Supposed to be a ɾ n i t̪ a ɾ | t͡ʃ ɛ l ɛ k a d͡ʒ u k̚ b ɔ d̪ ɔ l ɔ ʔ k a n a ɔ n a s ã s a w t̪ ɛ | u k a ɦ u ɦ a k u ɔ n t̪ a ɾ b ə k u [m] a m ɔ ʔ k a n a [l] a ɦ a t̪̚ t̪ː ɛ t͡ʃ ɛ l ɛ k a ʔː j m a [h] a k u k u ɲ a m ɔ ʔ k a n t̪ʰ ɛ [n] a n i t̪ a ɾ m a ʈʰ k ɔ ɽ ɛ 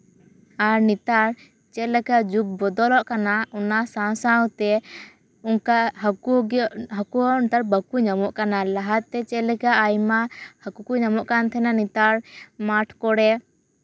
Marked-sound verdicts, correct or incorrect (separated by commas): incorrect, correct, correct, correct